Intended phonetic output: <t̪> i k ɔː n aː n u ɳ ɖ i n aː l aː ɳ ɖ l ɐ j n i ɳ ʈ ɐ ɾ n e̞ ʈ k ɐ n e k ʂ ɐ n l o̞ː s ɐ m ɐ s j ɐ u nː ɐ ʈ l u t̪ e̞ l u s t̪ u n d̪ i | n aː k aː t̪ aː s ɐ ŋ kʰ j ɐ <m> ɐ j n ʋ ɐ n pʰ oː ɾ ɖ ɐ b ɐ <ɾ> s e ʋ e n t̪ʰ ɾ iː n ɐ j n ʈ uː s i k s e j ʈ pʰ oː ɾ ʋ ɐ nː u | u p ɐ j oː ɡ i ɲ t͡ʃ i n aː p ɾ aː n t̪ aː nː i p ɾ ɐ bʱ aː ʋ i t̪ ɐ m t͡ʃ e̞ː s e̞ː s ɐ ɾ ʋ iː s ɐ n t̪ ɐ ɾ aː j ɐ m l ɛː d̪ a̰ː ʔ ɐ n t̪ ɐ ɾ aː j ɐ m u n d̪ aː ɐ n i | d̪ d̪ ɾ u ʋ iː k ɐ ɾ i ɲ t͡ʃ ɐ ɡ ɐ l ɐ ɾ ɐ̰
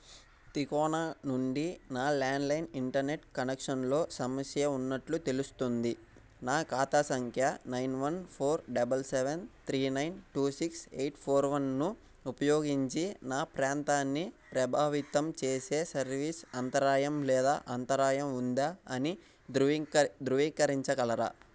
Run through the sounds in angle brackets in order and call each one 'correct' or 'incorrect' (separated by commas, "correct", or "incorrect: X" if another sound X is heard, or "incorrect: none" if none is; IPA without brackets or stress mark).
correct, incorrect: n, incorrect: l